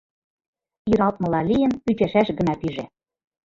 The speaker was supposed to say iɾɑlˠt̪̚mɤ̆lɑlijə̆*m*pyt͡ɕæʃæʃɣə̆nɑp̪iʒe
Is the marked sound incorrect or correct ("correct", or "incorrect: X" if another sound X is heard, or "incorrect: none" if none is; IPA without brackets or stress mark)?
incorrect: n